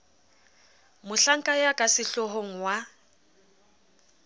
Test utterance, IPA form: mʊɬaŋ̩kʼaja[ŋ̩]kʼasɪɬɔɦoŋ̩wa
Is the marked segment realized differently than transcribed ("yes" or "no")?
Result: yes